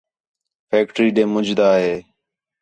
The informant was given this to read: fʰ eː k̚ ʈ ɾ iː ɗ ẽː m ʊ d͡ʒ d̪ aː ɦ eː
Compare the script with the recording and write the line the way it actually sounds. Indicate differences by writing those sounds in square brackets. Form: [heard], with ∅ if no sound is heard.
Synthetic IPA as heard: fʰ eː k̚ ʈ ɾ iː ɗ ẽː m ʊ d͡ʒ d̪ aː ɦ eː

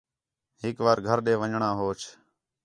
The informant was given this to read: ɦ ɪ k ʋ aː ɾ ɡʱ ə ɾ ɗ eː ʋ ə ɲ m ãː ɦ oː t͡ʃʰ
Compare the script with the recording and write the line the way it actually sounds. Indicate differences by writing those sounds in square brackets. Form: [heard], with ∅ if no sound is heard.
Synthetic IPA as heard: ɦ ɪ k ʋ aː ɾ ɡʱ ə ɾ ɗ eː ʋ ə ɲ [ɳ] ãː ɦ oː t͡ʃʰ

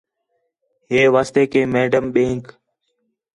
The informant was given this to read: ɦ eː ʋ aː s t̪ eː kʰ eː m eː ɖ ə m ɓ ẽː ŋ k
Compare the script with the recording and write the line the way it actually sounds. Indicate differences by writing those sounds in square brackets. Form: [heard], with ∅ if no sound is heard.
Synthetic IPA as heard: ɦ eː ʋ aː s t̪ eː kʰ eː m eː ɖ ə m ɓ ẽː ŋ k

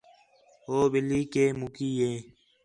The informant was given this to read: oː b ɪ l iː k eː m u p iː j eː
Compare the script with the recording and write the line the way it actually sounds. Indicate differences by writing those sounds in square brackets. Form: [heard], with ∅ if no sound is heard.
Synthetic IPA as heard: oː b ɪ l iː k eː m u [k] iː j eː

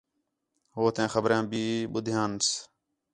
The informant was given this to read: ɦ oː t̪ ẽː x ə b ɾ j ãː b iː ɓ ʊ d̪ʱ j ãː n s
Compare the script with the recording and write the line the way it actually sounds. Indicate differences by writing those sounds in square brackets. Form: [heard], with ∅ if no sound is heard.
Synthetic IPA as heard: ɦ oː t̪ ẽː x ə b ɾ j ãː b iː ɓ ʊ d̪ʱ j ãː n s

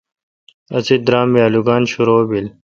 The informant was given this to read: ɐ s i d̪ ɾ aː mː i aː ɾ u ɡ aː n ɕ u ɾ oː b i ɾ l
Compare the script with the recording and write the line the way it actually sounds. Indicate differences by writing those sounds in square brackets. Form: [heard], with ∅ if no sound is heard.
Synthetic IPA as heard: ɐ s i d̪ ɾ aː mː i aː [l] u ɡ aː n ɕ u ɾ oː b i [∅] l

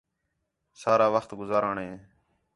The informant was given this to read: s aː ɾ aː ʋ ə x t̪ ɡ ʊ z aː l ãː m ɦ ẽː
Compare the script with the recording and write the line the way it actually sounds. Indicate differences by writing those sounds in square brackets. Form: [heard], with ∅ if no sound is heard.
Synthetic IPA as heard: s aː ɾ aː ʋ ə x t̪ ɡ ʊ z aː [ɾ] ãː [ɳ] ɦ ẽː

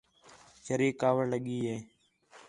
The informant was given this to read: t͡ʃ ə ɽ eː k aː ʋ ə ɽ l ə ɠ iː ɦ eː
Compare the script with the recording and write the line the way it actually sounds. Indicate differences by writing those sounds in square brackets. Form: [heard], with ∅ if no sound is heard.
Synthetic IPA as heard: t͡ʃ ə [ɾ] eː k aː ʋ ə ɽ l ə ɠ iː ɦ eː

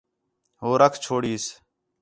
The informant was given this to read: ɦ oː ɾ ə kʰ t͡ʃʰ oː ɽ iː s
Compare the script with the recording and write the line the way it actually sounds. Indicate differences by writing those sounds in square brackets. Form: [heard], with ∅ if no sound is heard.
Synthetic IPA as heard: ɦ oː ɾ ə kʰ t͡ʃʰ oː ɽ iː s

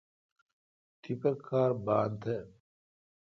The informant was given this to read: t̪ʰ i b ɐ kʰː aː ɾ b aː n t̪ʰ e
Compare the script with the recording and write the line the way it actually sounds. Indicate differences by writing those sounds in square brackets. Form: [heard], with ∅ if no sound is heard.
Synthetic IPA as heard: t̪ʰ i [p] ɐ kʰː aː ɾ b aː n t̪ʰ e

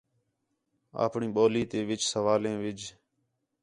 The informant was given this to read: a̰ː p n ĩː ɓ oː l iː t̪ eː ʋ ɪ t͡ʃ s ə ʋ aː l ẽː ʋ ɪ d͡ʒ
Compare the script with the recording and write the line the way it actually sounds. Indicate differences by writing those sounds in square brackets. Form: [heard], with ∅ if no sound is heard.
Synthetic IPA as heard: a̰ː p [ɳ] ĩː ɓ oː l iː t̪ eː ʋ ɪ t͡ʃ s ə ʋ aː l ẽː ʋ ɪ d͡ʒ

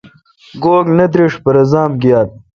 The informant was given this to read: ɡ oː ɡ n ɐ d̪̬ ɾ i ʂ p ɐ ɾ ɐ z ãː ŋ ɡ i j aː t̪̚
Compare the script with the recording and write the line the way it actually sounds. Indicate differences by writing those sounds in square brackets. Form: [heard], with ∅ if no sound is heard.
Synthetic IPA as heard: ɡ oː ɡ n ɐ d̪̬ ɾ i ʂ p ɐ ɾ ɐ z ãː [m] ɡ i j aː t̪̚

